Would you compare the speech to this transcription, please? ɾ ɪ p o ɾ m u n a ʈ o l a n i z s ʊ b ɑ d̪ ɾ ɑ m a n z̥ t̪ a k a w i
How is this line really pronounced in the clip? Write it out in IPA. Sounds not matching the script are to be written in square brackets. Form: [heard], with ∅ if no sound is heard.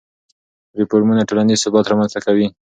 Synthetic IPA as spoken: ɾ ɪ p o ɾ m u n a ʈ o l a n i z s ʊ b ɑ [t̪] ɾ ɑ m a n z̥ t̪ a k a w i